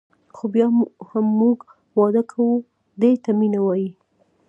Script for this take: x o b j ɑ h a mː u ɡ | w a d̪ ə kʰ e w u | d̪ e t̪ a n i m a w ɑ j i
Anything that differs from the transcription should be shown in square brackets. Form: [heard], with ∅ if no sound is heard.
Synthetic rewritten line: x o b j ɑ h a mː u ɡ | w [ɑ] d̪ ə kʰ [a] w u | d̪ e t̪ a [m] i [n] a w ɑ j i